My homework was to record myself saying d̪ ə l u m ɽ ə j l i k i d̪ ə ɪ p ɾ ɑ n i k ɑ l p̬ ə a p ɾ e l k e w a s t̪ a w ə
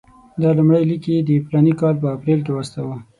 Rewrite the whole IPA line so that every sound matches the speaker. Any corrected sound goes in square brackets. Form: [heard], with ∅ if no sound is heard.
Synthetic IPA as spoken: d̪ [ɑ] l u m ɽ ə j l i k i d̪ ə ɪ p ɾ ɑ n i k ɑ l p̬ ə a p ɾ e l k e w a s t̪ a w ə